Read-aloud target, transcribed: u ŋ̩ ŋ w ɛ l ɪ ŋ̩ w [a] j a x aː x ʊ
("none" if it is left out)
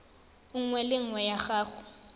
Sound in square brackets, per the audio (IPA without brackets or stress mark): ɛ